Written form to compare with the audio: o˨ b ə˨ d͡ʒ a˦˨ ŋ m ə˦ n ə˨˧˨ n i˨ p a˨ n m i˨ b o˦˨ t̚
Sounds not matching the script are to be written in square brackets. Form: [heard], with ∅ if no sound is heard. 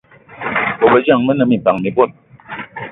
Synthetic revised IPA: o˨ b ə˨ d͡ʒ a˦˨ ŋ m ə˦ n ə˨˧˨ [m] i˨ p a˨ [ŋ] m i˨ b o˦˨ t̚